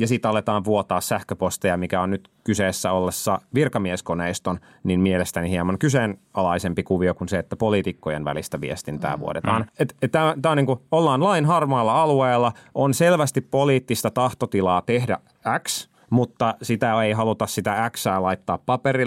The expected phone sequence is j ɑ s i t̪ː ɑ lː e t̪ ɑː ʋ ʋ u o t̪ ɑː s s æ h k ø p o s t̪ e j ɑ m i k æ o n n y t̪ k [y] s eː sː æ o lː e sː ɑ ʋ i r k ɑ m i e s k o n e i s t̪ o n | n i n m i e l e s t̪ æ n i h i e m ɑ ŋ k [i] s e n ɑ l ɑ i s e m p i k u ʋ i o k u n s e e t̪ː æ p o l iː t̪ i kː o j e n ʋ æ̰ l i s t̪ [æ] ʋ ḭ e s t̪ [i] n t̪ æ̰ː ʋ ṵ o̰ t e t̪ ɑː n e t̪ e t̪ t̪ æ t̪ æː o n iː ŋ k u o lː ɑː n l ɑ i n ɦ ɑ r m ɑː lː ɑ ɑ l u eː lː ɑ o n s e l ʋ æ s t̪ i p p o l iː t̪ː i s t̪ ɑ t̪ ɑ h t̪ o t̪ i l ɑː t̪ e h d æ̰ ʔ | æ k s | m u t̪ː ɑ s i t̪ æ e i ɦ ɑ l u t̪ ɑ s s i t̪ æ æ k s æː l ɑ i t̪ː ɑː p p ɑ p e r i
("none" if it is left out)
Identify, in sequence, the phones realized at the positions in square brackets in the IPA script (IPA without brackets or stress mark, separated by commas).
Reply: y, y, æ, i